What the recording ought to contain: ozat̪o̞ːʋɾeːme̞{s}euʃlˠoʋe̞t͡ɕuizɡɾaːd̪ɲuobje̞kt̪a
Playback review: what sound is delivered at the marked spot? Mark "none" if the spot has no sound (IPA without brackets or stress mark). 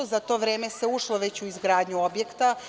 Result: s